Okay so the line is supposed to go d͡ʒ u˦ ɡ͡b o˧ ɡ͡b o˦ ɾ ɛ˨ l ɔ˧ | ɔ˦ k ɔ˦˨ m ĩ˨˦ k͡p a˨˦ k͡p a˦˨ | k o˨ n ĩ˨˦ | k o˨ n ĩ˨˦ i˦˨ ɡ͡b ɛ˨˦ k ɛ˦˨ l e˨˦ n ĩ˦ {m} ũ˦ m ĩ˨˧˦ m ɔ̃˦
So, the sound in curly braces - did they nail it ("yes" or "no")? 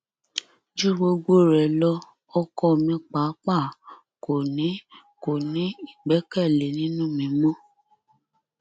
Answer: no